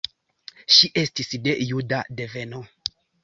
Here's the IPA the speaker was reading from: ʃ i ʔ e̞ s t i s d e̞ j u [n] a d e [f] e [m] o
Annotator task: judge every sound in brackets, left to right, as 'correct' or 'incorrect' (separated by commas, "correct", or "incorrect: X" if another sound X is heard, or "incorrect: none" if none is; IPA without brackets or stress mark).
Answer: incorrect: d, incorrect: v, incorrect: n